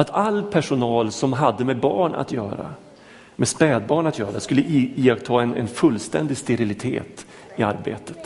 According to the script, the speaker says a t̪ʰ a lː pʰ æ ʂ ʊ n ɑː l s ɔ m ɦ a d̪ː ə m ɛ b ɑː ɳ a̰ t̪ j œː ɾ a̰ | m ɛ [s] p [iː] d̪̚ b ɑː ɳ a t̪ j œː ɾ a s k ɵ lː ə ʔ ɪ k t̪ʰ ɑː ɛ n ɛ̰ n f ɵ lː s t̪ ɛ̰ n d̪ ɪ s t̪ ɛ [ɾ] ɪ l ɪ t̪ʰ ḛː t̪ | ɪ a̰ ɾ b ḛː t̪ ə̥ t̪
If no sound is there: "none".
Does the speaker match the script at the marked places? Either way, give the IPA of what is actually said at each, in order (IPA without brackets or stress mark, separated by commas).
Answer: s, ɛː, ɾ